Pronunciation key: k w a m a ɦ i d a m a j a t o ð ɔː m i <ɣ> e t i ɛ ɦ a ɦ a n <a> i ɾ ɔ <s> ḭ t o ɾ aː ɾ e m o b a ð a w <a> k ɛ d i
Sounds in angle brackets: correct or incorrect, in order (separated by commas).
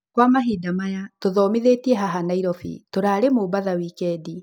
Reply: incorrect, correct, incorrect, incorrect